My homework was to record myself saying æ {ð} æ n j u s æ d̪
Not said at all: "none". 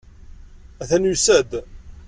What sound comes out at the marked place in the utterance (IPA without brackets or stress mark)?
θ